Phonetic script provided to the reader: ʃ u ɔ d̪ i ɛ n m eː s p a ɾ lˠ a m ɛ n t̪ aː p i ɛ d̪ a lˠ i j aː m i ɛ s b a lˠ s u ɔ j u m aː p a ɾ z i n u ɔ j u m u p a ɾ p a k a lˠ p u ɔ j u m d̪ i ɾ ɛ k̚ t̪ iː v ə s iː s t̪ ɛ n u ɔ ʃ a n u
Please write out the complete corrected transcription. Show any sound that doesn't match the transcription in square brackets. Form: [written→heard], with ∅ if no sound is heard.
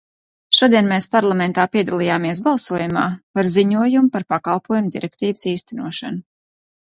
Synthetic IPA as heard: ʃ u ɔ d̪ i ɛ n m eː s p a ɾ lˠ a m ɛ n t̪ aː p i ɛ d̪ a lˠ i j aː m i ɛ s b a lˠ s u ɔ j u m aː p a ɾ z i [n→ɲ] u ɔ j u m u p a ɾ p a k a lˠ p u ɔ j u m d̪ i ɾ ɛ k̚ t̪ iː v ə s iː s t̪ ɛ n u ɔ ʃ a n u

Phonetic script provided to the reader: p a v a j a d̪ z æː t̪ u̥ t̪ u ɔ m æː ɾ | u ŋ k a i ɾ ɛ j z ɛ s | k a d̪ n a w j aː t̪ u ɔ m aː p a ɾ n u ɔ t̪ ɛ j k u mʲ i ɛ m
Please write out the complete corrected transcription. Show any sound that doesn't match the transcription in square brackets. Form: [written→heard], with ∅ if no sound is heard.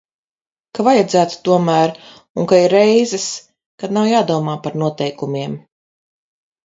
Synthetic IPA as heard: [p→k] a v a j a d̪ z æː t̪ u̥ t̪ u ɔ m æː ɾ | u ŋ k a i ɾ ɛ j z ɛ s | k a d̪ n a w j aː [t̪→d̪] u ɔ m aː p a ɾ n u ɔ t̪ ɛ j k u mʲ i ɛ m

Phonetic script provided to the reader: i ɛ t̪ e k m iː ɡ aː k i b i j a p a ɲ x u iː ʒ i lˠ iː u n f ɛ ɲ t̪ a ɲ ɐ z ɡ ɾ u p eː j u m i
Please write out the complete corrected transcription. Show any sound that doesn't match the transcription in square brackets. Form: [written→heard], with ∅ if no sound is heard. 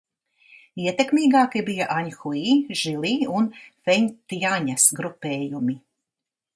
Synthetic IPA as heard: i ɛ t̪ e k m iː ɡ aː k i b i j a [p→ʔ] a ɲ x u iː ʒ i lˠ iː u n f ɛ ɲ t̪ a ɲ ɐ [z→s] ɡ ɾ u p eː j u m i

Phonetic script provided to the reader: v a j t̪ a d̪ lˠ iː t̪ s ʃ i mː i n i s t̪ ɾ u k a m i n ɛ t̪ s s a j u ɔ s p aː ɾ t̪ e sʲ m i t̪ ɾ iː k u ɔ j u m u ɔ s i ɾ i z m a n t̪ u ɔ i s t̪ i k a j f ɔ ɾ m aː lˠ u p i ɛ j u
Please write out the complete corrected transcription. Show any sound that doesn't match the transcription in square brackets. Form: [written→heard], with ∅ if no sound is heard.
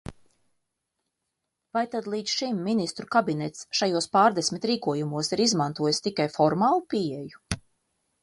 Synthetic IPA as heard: v a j t̪ a d̪ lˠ iː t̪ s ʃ i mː i n i s t̪ ɾ u k a [m→b] i n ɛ t̪ s [s→ʃ] a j u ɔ s p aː ɾ [t̪→d̪] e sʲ m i t̪ ɾ iː k u ɔ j u m u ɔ s i ɾ i z m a n t̪ u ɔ [i→j] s t̪ i k a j f ɔ ɾ m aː lˠ u p i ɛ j u

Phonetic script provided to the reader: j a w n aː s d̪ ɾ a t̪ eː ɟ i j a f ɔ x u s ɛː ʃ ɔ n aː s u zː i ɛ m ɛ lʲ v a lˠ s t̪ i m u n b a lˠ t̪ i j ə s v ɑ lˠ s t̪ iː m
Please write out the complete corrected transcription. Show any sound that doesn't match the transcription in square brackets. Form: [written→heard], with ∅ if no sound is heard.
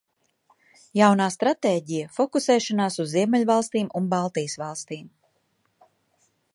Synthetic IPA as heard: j a w n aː s [d̪→t̪] ɾ a t̪ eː ɟ i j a f ɔ [x→k] u s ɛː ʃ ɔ n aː s u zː i ɛ m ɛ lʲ v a lˠ s t̪ [i→iː] m u n b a lˠ t̪ i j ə s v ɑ lˠ s t̪ iː m

